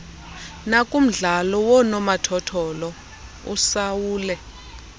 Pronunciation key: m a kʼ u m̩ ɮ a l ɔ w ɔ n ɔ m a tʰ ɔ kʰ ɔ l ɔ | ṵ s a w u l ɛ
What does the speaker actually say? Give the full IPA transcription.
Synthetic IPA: n a kʼ u m̩ ɮ a l ɔ w ɔ n ɔ m a tʰ ɔ tʰ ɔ l ɔ | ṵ s a w uː l ɛ

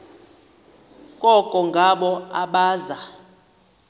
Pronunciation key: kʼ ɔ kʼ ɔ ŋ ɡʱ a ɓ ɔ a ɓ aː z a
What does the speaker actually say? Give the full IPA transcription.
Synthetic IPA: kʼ ɔ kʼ ɔ ŋ ɡʱ a ɓ ɔ a ɓ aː z a

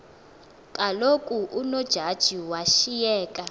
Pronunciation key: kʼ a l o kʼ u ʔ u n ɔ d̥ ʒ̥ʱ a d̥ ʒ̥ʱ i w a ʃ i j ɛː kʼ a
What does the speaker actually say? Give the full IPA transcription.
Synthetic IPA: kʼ a l o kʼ u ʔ u n ɔ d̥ ʒ̥ʱ a d̥ ʒ̥ʱ i w a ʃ i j ɛː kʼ a

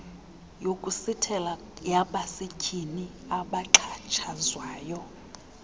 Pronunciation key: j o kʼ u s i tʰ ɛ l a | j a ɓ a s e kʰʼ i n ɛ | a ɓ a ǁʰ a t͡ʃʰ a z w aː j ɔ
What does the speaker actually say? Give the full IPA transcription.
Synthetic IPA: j o kʼ u s i tʰ ɛ l a | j a ɓ a s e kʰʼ i n i | a ɓ a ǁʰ a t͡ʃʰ a z w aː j ɔ

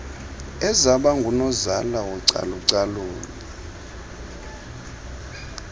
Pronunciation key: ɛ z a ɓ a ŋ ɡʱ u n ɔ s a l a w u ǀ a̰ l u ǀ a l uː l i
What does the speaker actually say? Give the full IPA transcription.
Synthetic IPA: ɛ z a ɓ a ŋ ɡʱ u n ɔ z a l a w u ǀ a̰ l u ǀ a l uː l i

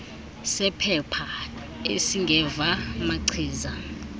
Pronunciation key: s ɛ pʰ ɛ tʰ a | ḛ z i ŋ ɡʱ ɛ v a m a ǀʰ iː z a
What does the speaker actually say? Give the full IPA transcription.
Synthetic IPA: s ɛ pʰ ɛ pʰ a | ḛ s i ŋ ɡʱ ɛ v a m a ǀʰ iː z a

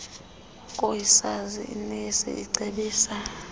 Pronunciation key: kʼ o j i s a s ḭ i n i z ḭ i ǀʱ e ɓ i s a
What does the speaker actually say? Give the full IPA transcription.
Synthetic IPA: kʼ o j i s a z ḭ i n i s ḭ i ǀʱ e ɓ iː s a

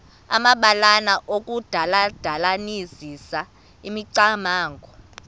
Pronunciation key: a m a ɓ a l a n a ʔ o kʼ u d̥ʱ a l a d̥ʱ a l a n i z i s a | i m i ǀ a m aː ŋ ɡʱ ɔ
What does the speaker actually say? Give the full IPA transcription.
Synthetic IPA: a m a ɓ a l a n a ʔ o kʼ u d̥ʱ a l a d̥ʱ a l a n i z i s a | i m i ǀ a m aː ŋ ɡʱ ɔ

